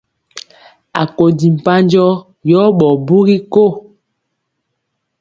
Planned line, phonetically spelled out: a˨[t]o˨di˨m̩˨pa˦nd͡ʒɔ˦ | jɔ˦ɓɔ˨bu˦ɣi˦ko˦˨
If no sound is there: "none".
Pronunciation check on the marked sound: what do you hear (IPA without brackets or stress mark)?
k